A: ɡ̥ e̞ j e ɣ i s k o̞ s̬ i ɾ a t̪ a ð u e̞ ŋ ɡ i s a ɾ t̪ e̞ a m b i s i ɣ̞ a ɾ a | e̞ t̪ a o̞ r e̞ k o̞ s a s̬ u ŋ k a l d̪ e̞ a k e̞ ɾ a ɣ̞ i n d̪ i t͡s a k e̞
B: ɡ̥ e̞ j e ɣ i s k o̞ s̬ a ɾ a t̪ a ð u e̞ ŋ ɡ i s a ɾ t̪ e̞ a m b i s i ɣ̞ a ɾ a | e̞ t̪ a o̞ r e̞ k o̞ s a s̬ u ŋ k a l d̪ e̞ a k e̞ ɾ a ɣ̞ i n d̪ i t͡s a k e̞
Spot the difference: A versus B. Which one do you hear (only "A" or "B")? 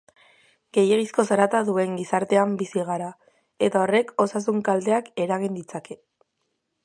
B